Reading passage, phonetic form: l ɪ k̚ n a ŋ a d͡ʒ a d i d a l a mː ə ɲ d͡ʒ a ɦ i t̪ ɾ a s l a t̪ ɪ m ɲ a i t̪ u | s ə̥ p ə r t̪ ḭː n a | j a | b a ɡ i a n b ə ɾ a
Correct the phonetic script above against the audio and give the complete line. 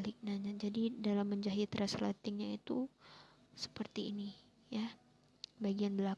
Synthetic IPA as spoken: l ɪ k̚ n a ɲ a d͡ʒ a d i d a l a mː ə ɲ d͡ʒ a ɦ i t̪ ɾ a s l a t̪ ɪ ŋ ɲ a i t̪ u | s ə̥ p ə r t̪ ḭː n i | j a | b a ɡ i a n b ə l a